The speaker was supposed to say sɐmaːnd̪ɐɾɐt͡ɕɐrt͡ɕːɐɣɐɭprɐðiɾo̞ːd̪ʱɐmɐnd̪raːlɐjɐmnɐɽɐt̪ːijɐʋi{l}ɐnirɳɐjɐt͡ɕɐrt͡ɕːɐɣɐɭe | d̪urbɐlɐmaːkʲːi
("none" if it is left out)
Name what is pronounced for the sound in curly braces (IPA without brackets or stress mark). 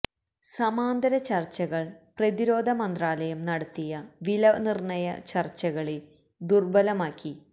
l